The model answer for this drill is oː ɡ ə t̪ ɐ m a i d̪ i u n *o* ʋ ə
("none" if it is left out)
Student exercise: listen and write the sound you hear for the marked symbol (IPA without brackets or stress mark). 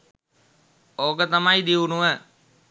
u